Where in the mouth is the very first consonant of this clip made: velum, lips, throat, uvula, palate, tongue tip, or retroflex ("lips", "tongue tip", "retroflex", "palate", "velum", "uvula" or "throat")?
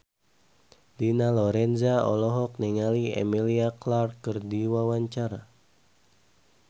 tongue tip